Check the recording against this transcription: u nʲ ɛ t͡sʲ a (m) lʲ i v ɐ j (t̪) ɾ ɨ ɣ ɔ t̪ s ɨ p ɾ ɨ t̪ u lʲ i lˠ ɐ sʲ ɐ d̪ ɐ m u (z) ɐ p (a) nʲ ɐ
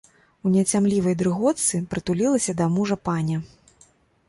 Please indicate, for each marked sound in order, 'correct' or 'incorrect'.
correct, incorrect: d̪, incorrect: ʐ, correct

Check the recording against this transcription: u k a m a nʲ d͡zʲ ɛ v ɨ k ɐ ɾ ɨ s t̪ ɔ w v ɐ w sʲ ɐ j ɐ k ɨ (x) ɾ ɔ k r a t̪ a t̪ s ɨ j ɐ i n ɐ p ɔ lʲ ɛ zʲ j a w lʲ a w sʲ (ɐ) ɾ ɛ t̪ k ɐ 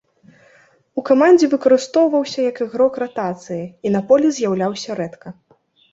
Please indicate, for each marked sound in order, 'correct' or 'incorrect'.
incorrect: ɣ, correct

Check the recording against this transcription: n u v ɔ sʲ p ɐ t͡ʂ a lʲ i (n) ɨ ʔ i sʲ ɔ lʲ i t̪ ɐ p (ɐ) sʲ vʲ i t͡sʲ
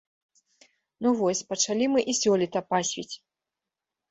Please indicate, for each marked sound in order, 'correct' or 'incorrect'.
incorrect: m, incorrect: a

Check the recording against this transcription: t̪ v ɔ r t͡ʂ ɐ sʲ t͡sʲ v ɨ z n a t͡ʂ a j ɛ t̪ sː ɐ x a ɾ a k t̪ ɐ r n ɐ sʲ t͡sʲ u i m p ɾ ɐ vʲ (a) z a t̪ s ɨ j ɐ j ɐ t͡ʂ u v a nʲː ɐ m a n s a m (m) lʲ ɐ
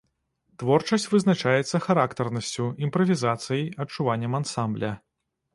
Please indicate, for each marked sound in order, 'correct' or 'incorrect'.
incorrect: i, incorrect: b

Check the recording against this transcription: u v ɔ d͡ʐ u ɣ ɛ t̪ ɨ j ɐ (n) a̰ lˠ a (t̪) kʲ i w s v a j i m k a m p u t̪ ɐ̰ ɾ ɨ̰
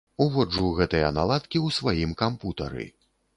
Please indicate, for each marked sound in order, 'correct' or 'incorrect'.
correct, correct

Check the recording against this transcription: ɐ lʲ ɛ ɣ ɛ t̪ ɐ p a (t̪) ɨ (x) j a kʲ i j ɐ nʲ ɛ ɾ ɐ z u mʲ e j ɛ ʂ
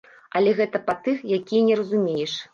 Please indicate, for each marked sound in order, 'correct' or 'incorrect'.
correct, correct

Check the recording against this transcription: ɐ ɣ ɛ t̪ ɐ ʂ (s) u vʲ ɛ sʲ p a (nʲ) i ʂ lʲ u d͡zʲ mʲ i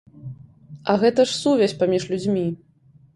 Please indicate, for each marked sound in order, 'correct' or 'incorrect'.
correct, incorrect: mʲ

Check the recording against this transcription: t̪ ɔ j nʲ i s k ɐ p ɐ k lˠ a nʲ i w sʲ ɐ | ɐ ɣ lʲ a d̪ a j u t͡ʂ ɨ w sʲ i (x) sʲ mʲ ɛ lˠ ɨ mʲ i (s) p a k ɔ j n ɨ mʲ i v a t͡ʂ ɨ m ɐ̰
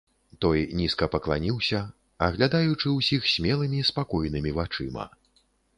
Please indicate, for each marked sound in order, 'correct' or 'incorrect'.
correct, correct

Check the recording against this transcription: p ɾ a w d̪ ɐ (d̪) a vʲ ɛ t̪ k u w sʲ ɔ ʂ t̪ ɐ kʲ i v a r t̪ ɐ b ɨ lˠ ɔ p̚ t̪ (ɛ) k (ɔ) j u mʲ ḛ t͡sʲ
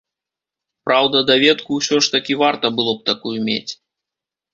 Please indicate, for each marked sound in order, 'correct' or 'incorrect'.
correct, incorrect: a, incorrect: u

